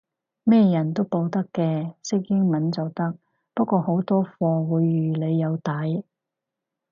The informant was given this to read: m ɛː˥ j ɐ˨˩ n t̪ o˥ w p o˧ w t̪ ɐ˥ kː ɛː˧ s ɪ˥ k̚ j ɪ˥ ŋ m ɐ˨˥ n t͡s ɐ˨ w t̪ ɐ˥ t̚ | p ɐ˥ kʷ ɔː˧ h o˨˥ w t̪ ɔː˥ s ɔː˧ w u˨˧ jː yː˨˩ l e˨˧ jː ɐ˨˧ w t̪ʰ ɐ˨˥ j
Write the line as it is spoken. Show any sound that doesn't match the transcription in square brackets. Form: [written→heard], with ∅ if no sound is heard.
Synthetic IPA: m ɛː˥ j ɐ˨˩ n t̪ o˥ w p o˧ w t̪ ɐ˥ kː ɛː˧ s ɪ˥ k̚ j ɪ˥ ŋ m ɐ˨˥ n t͡s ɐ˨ w t̪ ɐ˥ [t̚→k̚] | p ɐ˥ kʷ ɔː˧ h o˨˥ w t̪ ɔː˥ [s→f] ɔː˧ w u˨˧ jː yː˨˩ l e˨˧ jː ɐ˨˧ w [t̪ʰ→t̪] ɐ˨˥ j